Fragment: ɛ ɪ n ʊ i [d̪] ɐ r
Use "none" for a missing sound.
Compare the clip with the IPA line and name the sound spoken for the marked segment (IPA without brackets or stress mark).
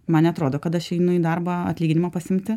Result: d̪